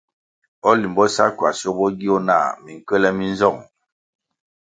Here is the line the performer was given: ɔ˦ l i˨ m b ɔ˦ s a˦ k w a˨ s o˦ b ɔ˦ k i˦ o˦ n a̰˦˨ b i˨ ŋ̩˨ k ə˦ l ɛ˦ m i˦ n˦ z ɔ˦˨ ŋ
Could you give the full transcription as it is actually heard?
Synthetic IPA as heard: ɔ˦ l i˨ m b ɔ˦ s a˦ k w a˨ s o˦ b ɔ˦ ɡ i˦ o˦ n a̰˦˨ m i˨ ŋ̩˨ k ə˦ l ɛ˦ m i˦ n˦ z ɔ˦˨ ŋ